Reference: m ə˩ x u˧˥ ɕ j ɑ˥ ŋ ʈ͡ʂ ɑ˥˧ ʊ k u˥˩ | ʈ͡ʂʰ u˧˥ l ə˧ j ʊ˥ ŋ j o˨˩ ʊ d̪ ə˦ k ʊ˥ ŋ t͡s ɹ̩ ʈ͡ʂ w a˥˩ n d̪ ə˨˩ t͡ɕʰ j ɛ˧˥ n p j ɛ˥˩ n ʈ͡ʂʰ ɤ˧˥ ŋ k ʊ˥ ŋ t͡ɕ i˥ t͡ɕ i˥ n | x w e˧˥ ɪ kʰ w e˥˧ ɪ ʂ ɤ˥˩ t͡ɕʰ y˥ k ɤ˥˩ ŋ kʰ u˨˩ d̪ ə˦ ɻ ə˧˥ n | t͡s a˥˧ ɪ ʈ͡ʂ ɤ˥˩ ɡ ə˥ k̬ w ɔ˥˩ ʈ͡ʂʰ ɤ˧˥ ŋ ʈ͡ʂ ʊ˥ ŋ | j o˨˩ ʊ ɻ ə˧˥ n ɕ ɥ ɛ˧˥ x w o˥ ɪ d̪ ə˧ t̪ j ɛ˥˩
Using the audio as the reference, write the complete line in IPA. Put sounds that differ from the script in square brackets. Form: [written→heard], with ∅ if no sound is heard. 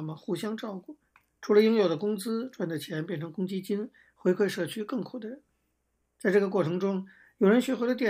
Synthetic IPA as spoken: m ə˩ x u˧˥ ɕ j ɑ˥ ŋ ʈ͡ʂ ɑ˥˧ ʊ k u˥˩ | ʈ͡ʂʰ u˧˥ l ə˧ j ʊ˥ ŋ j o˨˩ ʊ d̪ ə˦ k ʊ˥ ŋ t͡s ɹ̩ ʈ͡ʂ w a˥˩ n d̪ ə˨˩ t͡ɕʰ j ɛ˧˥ n p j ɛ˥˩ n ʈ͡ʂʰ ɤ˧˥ ŋ k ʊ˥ ŋ t͡ɕ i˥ t͡ɕ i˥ n | x w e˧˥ ɪ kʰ w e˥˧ ɪ ʂ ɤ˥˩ t͡ɕʰ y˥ k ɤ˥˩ ŋ kʰ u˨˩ d̪ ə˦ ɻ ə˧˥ n | t͡s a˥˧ ɪ ʈ͡ʂ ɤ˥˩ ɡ [ə˥→ə˩] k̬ w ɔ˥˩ ʈ͡ʂʰ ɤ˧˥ ŋ ʈ͡ʂ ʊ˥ ŋ | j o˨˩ ʊ ɻ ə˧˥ n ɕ ɥ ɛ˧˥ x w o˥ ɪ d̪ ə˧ t̪ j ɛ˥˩